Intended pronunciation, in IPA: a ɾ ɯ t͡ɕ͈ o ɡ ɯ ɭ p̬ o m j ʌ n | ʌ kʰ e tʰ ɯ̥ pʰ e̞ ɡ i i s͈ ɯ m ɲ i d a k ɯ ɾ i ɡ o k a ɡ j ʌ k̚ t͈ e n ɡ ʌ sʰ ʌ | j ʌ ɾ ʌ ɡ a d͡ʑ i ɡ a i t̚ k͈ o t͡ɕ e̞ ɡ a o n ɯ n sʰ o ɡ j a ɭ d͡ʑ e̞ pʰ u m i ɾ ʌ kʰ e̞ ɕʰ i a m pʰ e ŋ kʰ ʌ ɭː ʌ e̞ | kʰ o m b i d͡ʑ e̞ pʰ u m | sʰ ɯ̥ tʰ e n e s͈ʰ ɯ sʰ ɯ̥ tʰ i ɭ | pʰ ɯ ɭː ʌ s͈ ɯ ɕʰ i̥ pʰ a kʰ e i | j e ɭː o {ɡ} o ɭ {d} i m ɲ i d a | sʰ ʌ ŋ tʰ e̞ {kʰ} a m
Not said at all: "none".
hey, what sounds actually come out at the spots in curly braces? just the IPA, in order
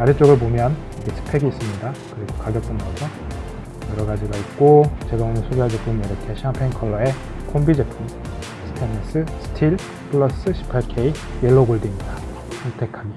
ɡ, d, kʰ

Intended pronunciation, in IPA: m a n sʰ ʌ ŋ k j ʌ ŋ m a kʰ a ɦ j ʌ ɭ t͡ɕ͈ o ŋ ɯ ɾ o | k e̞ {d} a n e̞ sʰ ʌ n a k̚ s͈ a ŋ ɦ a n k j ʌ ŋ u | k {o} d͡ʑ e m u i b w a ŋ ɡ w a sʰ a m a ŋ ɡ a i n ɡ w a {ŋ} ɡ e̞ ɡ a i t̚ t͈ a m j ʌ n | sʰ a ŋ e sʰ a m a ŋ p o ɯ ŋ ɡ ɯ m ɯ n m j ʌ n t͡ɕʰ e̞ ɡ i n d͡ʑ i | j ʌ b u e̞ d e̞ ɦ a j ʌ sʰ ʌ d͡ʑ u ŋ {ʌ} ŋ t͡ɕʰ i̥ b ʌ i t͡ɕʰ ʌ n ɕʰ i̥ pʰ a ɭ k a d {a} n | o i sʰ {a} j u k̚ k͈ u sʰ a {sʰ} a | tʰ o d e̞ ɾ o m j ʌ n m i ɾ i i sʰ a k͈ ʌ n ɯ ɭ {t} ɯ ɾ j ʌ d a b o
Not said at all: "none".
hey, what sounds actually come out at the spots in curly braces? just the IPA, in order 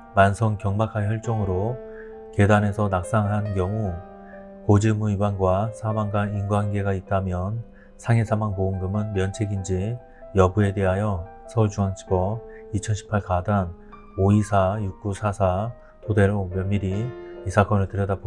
d, o, n, a, a, a, sʰ, t

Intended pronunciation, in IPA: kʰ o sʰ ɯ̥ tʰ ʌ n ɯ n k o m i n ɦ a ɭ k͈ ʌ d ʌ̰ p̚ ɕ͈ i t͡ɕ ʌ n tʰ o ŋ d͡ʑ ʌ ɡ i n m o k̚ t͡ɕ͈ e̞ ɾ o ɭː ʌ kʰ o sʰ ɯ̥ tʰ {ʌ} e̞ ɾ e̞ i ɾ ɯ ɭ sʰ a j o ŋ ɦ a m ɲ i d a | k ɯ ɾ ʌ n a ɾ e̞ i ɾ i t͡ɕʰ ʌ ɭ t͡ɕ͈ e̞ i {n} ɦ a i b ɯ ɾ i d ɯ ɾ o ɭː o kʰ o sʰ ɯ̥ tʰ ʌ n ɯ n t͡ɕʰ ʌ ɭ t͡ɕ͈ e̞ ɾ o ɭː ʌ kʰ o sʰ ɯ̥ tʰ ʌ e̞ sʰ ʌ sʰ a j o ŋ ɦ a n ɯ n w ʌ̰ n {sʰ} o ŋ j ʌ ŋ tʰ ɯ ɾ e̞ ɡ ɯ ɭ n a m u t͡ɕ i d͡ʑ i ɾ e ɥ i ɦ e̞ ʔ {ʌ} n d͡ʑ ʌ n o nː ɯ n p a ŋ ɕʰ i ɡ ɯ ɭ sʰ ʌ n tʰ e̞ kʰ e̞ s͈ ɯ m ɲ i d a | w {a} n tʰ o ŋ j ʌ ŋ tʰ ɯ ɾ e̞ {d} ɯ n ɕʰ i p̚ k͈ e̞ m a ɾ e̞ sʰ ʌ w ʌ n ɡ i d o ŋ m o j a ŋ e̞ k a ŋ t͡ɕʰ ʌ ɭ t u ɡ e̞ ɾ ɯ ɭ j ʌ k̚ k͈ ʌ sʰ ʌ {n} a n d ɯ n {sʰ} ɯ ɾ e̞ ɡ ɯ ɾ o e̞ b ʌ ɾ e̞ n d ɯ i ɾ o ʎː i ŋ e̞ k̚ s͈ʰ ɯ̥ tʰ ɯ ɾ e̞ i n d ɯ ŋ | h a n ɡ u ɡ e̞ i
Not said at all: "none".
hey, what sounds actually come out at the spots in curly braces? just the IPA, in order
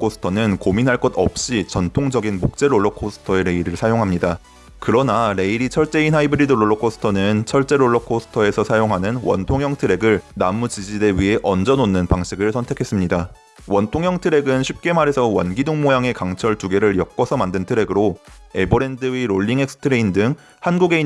ʌ, n, tʰ, ʌ, ʌ, ɡ, m, tʰ

